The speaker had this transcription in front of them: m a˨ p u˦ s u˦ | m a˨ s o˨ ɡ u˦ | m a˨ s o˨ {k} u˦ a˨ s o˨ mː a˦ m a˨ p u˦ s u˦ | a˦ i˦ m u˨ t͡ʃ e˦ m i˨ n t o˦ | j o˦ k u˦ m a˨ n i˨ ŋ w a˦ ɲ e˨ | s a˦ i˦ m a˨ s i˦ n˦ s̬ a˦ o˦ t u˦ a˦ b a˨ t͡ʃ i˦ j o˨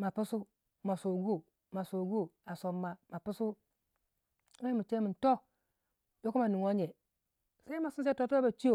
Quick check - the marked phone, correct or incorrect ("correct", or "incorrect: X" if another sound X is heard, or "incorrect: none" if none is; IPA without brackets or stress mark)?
incorrect: ɡ